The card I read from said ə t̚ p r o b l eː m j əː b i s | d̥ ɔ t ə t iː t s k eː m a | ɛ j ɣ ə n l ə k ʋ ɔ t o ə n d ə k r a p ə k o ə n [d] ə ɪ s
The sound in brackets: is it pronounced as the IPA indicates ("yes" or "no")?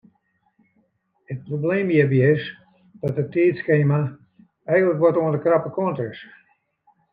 no